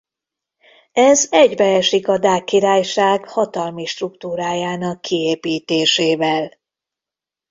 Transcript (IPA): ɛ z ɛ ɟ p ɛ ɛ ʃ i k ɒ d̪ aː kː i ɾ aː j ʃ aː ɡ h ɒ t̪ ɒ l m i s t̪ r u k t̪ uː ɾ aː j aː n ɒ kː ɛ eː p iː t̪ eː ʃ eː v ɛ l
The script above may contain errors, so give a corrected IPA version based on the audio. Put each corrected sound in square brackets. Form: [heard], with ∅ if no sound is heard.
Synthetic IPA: ɛ z ɛ ɟ [b] ɛ ɛ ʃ i k ɒ d̪ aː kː i ɾ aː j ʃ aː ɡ h ɒ t̪ ɒ l m i [ʃ] t̪ r u k t̪ uː ɾ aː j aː n ɒ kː [i] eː p iː t̪ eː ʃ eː v ɛ l

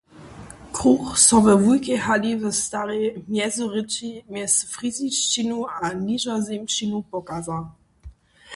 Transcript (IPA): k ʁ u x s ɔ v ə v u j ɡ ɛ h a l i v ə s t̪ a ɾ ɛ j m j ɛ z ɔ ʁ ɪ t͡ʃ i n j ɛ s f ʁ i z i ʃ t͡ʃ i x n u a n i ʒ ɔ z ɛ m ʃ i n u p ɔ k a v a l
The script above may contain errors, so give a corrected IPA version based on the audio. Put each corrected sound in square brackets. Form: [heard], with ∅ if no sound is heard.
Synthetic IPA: k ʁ u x s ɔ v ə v u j [k] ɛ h a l i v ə s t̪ a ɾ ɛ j m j ɛ z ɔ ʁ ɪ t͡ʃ i [m] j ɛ s f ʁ i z i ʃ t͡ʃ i [∅] n u a n i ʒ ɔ z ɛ m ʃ i n u p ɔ k a [z] a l

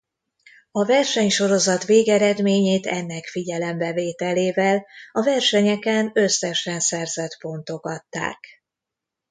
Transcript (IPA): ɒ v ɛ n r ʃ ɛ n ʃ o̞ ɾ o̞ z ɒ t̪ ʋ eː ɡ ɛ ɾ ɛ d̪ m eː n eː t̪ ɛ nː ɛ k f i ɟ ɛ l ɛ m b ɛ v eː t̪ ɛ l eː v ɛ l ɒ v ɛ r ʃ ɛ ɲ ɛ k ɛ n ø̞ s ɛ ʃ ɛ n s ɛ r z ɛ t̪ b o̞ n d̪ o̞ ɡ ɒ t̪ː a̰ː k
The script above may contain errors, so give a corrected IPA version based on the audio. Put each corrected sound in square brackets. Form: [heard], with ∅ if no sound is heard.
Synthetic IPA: ɒ v ɛ [∅] r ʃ ɛ [ɲ] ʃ o̞ ɾ o̞ z ɒ t̪ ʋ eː ɡ ɛ ɾ ɛ d̪ m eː [ɲ] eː t̪ ɛ nː ɛ k f i ɟ ɛ l ɛ m b ɛ v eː t̪ ɛ l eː v ɛ l ɒ v ɛ r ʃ ɛ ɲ ɛ k ɛ n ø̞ s ɛ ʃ ɛ n s ɛ r z ɛ t̪ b o̞ n [t̪] o̞ ɡ ɒ t̪ː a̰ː k

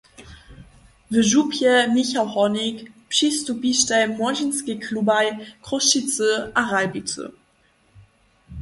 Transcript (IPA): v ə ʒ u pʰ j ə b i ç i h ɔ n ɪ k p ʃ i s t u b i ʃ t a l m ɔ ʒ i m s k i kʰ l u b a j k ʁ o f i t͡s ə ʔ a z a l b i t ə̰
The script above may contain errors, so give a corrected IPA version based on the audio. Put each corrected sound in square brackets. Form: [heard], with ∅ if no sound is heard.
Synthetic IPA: v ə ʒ u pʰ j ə [m] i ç [a] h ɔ n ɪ k p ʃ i s t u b i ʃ t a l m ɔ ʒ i [n] s k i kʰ l u b a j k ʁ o [ʃ] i t͡s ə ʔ a [ʁ] a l b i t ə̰

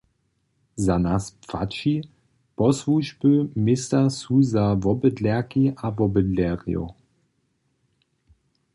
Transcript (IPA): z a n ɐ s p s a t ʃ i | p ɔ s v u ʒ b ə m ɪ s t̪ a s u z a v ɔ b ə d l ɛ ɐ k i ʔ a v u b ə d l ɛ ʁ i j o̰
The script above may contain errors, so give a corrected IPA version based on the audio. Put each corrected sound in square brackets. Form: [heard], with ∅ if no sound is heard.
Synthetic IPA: z a n [a] s p [f] a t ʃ i | p ɔ s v u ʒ b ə m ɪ s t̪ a s u z a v ɔ b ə d l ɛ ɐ k i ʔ a v [ɔ] b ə d l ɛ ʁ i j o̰

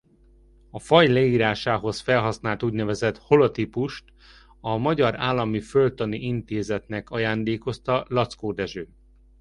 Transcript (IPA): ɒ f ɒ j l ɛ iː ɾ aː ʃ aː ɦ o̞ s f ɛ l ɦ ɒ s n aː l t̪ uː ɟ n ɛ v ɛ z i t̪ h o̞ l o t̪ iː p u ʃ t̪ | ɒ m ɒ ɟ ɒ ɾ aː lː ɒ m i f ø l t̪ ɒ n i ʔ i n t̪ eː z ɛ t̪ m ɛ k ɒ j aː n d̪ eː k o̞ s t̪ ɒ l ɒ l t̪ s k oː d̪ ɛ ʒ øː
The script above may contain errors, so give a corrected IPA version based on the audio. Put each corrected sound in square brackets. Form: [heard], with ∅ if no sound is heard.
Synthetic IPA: ɒ f ɒ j l ɛ iː ɾ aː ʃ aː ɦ o̞ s f ɛ l ɦ ɒ s n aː l t̪ uː ɟ n ɛ v ɛ z [ɛ] t̪ h o̞ l o t̪ [i] p u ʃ t̪ | ɒ m ɒ ɟ ɒ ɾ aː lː ɒ m i f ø l t̪ ɒ n i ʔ i n t̪ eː z ɛ t̪ [n] ɛ k ɒ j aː n d̪ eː k o̞ s t̪ ɒ l ɒ [∅] t̪ s k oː d̪ ɛ ʒ øː

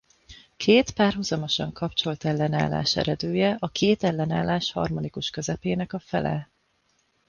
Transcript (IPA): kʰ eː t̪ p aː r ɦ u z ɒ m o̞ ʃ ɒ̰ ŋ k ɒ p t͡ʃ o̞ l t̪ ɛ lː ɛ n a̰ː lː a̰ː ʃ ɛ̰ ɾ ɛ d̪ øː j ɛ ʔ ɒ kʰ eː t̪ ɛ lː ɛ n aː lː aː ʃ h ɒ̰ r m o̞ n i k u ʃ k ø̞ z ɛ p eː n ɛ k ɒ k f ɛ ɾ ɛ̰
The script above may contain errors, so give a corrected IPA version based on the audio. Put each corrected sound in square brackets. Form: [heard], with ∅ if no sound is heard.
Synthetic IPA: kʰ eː t̪ p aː r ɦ u z ɒ m o̞ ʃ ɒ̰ ŋ k ɒ p t͡ʃ o̞ l t̪ ɛ lː ɛ n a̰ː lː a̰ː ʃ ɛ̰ ɾ ɛ d̪ øː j ɛ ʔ ɒ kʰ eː t̪ ɛ lː ɛ n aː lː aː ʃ h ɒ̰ r m o̞ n i k u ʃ k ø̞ z ɛ p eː n ɛ k ɒ [∅] f ɛ [l] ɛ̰

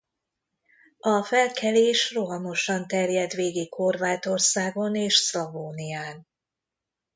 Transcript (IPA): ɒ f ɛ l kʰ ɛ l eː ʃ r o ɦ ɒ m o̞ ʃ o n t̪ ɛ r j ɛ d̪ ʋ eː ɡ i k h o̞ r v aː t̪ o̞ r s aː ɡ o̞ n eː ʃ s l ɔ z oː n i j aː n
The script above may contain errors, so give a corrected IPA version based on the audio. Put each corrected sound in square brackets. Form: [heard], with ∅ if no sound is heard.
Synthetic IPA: ɒ f ɛ l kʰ ɛ l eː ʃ r o ɦ ɒ m o̞ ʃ [ɒ] n t̪ ɛ r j ɛ d̪ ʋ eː ɡ i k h o̞ r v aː t̪ o̞ r s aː ɡ o̞ n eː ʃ s l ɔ [v] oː n i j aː n

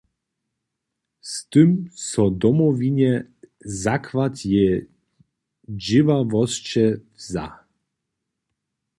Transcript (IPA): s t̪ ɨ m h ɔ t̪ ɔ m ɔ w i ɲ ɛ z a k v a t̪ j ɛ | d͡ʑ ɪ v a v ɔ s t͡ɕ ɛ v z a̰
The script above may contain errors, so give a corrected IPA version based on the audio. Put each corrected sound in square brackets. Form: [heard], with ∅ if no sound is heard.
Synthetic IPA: s t̪ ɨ m [s] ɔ [d̪] ɔ m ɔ [v] i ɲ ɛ z a k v a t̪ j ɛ | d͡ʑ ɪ v a v ɔ s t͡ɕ ɛ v z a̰

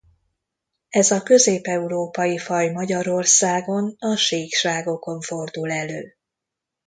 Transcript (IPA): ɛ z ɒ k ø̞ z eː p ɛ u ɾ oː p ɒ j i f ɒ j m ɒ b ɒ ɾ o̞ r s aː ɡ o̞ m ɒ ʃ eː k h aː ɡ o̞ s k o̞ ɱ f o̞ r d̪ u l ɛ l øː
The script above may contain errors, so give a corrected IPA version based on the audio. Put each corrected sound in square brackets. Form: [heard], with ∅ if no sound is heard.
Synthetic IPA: ɛ z ɒ k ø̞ z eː p ɛ u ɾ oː p ɒ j i f ɒ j m ɒ [ɟ] ɒ ɾ o̞ r s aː ɡ o̞ [n] ɒ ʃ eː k [ʃ] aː ɡ o̞ [∅] k o̞ ɱ f o̞ r d̪ u l ɛ l øː

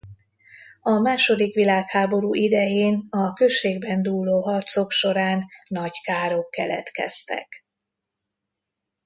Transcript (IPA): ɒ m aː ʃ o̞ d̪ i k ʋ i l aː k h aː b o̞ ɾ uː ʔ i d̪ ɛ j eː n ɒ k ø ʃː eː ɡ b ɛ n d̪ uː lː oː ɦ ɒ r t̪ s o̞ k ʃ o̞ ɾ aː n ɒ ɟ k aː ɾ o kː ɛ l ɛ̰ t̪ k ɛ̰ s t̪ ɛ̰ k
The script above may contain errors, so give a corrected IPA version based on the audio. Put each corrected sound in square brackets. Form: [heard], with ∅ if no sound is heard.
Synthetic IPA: ɒ m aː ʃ o̞ d̪ i k ʋ i l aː k h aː b o̞ ɾ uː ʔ i d̪ ɛ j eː n ɒ k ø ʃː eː ɡ b ɛ n d̪ uː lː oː ɦ ɒ r t̪ s o̞ k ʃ o̞ ɾ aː [nː] ɒ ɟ k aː ɾ o kː ɛ l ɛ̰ t̪ k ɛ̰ s t̪ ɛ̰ k

